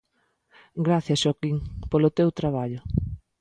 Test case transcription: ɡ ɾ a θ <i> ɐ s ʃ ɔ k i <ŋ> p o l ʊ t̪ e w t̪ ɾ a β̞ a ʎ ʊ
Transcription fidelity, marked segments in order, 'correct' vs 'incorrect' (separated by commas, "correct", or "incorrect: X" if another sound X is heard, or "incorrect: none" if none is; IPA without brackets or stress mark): incorrect: j, correct